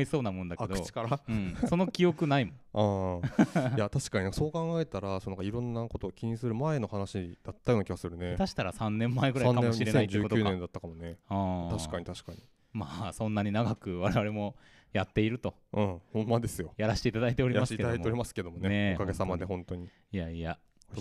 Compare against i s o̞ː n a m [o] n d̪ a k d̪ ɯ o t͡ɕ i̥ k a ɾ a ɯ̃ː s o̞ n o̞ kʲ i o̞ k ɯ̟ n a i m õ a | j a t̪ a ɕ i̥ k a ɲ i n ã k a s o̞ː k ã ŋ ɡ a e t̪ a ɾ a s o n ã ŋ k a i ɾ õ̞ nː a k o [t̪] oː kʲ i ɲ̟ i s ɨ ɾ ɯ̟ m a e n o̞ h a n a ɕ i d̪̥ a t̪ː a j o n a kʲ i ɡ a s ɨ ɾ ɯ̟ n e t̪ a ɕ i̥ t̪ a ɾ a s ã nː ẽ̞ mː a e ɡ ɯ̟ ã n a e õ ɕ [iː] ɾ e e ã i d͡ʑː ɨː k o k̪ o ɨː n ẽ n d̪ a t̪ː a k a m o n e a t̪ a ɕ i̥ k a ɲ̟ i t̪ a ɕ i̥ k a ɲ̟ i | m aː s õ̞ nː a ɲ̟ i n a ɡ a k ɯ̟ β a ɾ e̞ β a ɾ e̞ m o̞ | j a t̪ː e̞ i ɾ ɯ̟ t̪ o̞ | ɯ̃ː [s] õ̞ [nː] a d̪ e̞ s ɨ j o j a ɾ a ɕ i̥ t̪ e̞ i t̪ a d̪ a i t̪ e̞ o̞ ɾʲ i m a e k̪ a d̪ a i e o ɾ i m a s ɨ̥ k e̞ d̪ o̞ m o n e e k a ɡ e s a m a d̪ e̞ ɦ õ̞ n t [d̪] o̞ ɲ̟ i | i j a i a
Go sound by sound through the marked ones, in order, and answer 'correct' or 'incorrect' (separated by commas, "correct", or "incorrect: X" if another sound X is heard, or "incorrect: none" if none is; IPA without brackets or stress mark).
incorrect: õ, correct, incorrect: i, incorrect: h, incorrect: mː, incorrect: t̪